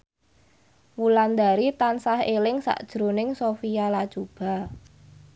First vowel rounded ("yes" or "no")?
yes